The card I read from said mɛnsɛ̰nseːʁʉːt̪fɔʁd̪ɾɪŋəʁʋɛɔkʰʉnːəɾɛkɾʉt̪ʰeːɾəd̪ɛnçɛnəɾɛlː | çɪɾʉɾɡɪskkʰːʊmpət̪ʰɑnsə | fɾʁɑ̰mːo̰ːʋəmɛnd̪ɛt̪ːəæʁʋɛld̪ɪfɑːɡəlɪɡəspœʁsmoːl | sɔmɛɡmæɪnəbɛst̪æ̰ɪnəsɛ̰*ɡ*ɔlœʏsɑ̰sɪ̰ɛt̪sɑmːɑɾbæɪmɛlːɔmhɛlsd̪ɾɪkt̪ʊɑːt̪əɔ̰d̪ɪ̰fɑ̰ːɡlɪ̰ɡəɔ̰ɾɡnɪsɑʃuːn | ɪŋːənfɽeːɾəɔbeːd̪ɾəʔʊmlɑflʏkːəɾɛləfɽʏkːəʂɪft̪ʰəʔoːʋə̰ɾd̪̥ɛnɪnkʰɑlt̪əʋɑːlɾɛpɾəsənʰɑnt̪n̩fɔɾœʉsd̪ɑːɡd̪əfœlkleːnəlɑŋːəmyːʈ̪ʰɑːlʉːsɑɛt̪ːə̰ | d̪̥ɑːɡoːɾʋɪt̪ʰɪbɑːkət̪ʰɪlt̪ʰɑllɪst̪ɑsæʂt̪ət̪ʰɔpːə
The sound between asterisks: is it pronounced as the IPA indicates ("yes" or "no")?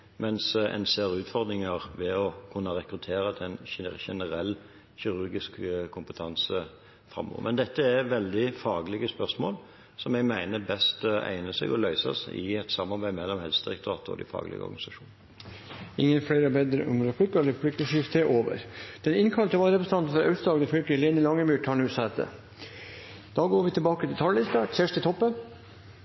yes